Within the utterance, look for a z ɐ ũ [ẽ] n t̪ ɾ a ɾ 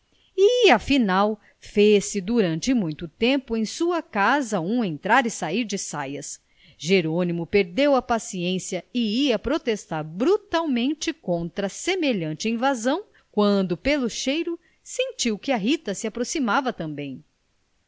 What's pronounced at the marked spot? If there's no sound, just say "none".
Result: ẽ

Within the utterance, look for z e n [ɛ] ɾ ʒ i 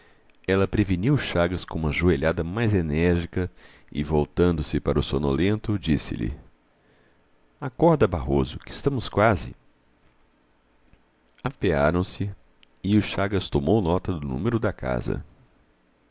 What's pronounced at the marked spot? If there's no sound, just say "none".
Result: ɛ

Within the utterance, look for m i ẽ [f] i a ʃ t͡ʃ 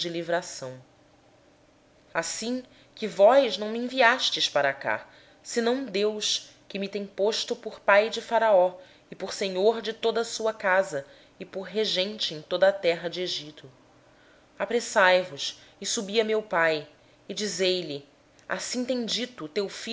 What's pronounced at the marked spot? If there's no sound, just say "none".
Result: v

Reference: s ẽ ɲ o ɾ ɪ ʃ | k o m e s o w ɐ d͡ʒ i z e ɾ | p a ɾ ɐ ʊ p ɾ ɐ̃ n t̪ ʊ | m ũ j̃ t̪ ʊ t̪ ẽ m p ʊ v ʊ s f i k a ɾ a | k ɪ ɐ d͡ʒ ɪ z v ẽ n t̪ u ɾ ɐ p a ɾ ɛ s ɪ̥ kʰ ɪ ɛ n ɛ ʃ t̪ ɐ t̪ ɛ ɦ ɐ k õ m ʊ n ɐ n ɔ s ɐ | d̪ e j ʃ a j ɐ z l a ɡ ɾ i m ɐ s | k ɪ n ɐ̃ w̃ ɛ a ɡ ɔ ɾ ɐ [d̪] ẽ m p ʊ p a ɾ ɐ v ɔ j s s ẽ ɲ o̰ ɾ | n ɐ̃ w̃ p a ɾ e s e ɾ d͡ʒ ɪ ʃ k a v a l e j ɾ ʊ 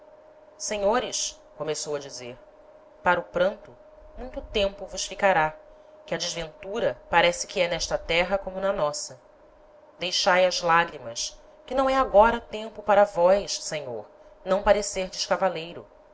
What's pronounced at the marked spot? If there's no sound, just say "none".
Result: t̪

